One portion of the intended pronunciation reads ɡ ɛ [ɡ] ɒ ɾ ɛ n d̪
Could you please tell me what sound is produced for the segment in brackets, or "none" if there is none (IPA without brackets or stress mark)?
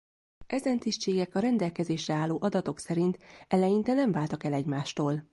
k